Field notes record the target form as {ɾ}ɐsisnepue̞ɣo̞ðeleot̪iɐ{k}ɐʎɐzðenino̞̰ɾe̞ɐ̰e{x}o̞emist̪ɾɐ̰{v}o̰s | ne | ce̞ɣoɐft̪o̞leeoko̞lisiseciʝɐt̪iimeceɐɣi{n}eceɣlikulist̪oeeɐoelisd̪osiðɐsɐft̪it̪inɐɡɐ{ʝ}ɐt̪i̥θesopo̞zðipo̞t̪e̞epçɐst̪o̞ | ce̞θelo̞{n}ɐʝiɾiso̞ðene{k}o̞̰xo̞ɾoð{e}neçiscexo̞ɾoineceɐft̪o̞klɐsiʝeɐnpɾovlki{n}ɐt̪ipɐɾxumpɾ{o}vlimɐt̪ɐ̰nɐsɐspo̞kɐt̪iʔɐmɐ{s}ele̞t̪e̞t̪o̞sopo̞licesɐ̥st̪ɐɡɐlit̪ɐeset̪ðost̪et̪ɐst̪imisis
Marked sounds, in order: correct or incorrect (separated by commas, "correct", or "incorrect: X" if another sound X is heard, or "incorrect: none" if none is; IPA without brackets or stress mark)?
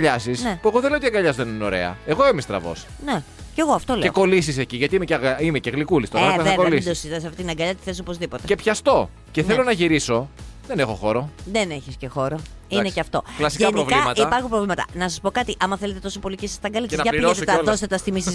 incorrect: ʎ, incorrect: ɡ, incorrect: ɣ, correct, incorrect: m, incorrect: ʎ, correct, incorrect: x, correct, incorrect: m, correct, incorrect: θ